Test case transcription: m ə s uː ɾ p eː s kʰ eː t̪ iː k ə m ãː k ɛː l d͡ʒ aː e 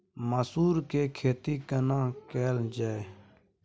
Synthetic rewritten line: m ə s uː ɾ k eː kʰ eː t̪ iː k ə n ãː k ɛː l d͡ʒ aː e